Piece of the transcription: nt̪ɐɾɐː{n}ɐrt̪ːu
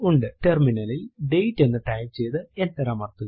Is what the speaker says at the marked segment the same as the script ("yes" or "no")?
no